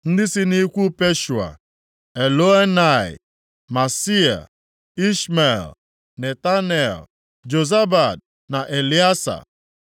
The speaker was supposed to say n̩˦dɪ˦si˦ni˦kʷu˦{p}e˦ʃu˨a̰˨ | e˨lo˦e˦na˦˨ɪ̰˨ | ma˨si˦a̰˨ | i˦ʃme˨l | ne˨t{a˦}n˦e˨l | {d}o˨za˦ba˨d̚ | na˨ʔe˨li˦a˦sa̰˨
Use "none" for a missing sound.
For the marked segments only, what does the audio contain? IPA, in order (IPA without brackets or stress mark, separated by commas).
p, a˦, d͡ʒ